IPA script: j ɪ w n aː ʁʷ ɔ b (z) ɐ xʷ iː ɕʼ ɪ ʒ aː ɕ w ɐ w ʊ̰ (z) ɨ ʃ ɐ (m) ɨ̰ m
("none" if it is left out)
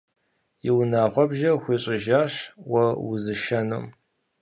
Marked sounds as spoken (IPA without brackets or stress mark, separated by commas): ʒ, z, n